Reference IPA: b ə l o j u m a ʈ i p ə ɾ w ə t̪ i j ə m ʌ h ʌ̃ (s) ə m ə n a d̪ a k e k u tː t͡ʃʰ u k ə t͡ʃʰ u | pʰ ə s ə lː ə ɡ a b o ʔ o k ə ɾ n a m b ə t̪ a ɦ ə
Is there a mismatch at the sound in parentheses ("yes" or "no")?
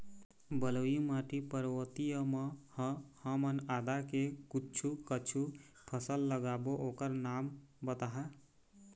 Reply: yes